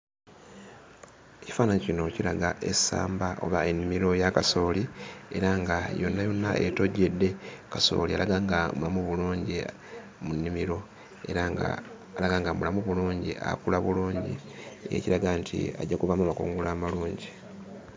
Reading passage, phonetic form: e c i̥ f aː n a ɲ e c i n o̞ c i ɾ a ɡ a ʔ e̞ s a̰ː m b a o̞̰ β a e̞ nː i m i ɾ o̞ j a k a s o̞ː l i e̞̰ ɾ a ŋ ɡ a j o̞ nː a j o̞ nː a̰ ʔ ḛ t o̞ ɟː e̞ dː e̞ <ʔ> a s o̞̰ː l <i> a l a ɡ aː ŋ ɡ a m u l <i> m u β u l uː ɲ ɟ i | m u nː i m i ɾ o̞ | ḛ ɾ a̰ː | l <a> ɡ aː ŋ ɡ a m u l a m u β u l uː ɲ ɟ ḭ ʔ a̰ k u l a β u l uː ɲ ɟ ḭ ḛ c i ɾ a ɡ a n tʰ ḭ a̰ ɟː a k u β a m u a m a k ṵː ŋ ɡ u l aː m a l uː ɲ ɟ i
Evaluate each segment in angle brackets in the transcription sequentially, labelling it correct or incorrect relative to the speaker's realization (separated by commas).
incorrect, correct, incorrect, correct